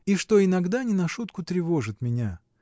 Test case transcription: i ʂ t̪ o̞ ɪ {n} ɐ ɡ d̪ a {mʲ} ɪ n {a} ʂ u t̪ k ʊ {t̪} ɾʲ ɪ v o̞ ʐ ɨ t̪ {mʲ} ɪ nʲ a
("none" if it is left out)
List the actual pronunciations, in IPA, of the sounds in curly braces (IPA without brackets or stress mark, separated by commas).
n, nʲ, ɐ, t̪, mʲ